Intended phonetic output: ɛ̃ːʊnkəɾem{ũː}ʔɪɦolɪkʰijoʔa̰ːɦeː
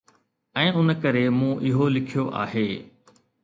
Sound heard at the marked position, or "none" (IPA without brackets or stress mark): ũː